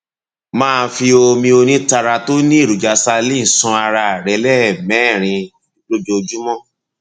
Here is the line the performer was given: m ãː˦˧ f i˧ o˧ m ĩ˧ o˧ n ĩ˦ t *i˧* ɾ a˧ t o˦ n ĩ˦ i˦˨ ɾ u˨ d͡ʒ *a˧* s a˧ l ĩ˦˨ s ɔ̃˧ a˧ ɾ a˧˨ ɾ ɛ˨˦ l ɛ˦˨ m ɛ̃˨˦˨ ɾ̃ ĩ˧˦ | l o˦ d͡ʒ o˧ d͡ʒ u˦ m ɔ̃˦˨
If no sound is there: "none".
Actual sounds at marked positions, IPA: a˧, a˧

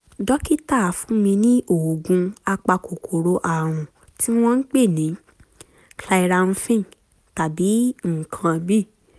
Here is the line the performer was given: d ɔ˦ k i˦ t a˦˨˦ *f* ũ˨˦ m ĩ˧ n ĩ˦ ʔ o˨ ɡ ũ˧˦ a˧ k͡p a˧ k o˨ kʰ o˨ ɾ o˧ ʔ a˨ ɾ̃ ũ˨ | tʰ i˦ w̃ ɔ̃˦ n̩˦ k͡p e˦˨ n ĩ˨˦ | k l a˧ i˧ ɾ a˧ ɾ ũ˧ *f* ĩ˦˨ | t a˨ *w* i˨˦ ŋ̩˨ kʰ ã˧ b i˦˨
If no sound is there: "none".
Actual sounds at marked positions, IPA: f, f, b

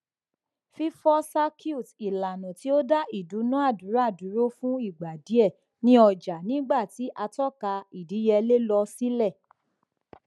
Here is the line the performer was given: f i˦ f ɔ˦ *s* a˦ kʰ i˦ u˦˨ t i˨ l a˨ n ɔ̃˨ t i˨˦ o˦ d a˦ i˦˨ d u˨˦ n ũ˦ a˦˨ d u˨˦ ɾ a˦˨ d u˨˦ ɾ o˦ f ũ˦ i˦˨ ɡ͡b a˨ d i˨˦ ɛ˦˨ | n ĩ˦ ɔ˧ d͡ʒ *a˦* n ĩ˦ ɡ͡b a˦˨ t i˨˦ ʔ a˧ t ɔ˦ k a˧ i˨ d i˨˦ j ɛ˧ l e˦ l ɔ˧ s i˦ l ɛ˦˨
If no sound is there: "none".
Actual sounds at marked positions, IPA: s, a˨

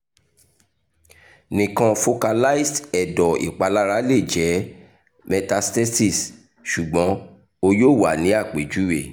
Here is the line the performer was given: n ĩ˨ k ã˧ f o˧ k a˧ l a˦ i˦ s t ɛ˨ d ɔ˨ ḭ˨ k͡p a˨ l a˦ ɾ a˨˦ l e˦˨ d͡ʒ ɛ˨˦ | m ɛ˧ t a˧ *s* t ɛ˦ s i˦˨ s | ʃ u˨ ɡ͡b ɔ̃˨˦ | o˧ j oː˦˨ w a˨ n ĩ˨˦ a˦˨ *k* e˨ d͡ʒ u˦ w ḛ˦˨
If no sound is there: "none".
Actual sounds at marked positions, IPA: s, k͡p

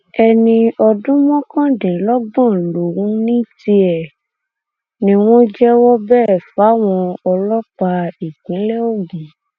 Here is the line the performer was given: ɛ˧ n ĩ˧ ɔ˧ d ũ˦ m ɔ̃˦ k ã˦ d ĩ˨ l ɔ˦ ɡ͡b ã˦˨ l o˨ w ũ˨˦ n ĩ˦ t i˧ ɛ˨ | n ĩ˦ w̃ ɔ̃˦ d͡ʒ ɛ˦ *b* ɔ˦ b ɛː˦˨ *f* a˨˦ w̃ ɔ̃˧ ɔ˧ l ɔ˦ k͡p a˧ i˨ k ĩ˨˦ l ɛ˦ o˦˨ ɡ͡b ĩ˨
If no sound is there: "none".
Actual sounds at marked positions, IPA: w, f

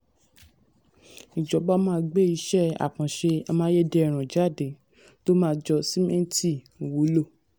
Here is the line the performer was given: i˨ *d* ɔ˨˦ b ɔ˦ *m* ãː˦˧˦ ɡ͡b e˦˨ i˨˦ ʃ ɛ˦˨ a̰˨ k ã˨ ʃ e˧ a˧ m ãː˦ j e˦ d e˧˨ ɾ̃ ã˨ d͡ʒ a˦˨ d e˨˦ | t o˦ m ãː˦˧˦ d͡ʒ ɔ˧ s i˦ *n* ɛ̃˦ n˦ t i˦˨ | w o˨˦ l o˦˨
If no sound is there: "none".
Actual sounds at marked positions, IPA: d͡ʒ, m, m

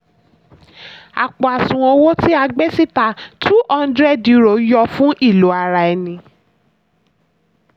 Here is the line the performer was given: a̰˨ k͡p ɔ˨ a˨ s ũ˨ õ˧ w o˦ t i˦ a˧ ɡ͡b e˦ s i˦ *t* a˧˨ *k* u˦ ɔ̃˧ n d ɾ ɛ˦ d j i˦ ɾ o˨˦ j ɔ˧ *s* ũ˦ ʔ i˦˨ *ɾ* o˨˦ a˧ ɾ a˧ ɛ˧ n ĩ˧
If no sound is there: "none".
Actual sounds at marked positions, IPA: t, t, f, l

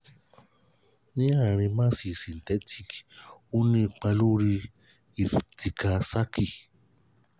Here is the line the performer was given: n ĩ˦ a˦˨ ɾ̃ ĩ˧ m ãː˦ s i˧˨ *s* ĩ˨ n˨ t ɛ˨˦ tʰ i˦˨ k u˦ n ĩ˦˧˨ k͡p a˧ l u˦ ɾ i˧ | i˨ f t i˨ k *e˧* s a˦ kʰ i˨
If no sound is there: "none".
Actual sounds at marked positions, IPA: s, a˧

